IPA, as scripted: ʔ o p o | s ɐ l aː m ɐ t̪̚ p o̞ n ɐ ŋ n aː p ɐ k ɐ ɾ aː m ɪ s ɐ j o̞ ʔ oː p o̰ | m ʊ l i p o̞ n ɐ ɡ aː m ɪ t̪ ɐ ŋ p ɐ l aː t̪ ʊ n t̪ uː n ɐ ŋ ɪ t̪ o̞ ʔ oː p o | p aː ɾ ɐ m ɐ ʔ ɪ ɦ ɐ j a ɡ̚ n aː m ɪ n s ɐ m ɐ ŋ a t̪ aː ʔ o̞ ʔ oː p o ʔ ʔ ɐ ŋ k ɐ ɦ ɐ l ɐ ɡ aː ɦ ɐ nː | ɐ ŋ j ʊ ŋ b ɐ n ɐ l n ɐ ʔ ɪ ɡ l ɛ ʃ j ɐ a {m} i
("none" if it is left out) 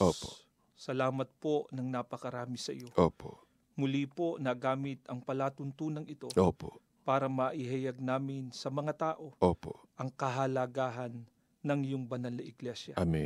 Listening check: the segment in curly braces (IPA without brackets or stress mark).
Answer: m